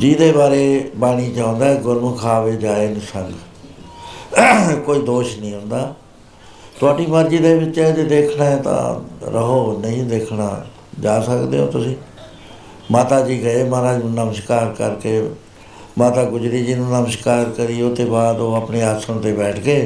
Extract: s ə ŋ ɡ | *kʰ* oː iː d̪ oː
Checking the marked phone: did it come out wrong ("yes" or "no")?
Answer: yes